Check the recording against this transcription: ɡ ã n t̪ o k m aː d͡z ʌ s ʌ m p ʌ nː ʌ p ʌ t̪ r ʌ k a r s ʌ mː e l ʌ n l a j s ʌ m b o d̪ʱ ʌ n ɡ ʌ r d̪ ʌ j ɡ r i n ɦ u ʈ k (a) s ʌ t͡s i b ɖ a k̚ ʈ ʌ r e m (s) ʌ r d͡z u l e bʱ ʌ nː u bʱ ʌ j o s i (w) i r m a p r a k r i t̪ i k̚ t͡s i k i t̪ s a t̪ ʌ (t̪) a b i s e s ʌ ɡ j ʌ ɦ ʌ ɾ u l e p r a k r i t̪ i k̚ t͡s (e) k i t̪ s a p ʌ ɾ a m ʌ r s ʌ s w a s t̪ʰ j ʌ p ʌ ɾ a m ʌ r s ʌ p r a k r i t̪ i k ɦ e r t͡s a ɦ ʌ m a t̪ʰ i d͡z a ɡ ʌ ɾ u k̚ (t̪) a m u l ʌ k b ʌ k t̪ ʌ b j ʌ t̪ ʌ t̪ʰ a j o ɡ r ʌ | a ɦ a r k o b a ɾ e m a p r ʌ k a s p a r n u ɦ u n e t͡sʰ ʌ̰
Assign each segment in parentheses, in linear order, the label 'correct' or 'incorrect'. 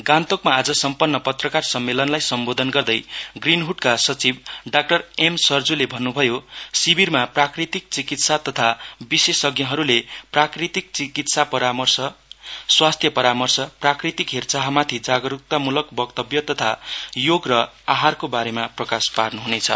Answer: correct, correct, incorrect, incorrect, incorrect, correct

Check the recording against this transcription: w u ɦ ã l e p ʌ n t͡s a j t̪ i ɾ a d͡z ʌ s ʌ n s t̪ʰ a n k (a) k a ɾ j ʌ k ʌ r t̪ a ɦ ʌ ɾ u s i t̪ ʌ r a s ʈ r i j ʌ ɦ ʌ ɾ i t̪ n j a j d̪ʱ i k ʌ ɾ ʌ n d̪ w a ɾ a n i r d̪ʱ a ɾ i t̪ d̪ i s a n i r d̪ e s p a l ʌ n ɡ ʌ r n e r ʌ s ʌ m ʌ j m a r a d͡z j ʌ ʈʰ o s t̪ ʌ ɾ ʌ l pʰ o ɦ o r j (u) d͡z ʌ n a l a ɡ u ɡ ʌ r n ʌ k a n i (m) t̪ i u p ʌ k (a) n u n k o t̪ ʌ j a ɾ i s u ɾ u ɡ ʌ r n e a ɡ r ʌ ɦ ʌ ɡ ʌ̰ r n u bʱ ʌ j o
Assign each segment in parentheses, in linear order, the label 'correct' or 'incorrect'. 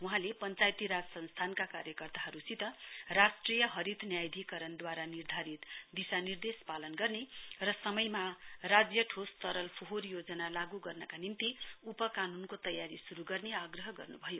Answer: correct, incorrect, incorrect, correct

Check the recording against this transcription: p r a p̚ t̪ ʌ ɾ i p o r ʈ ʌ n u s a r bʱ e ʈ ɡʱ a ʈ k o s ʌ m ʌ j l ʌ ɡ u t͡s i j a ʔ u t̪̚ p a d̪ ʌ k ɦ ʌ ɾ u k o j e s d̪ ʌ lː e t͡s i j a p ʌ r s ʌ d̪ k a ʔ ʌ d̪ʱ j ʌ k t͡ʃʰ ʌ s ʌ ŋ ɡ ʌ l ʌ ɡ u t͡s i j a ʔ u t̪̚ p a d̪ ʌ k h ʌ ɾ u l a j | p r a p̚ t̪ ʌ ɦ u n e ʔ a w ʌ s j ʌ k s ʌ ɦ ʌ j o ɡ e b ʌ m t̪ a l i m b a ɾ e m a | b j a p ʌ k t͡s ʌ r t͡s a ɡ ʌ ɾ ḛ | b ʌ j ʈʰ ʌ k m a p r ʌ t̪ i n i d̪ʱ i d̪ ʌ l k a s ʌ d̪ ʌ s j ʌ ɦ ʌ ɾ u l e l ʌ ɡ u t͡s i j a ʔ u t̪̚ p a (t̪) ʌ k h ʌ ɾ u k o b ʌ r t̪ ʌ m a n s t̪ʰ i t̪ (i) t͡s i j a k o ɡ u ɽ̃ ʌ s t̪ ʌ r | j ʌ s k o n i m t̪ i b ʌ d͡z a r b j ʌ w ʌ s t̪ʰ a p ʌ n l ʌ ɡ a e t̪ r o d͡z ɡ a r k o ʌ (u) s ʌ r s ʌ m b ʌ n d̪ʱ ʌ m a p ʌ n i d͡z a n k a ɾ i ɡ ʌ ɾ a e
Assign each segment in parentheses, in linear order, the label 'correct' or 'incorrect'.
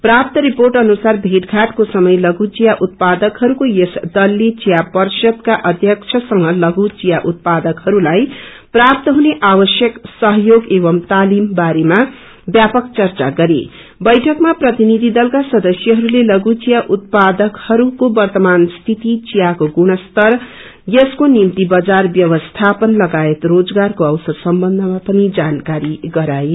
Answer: incorrect, correct, incorrect

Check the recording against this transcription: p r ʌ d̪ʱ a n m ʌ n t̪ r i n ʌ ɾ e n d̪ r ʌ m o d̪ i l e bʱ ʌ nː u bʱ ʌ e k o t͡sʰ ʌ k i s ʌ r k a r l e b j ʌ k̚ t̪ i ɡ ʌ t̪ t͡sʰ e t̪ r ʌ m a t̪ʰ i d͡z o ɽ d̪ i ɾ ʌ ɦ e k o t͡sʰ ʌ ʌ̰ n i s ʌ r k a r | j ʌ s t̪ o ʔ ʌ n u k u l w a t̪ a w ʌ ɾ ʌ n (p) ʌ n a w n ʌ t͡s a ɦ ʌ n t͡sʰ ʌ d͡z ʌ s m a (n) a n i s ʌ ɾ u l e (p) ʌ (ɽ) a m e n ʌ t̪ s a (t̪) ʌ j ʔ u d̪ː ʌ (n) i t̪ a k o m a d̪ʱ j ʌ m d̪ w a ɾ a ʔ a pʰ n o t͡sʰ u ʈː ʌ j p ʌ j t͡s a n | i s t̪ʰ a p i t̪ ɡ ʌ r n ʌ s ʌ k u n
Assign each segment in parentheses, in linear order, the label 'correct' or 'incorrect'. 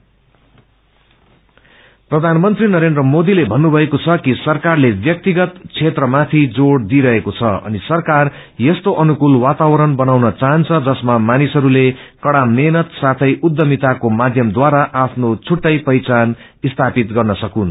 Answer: incorrect, incorrect, incorrect, correct, incorrect, incorrect

